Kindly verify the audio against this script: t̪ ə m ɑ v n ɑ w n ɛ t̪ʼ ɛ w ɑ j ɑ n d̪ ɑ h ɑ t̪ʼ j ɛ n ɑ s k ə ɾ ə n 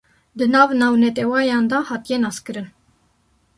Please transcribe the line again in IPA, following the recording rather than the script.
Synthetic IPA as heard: d̪ ə n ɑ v n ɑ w n ɛ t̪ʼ ɛ w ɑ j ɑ n d̪ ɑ h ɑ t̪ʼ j ɛ n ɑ s k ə ɾ ə n